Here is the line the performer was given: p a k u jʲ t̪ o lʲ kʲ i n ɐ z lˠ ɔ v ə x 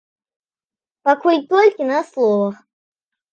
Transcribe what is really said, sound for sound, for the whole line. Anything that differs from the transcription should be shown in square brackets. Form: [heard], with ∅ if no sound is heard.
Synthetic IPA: p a k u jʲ t̪ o lʲ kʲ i n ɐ [s] lˠ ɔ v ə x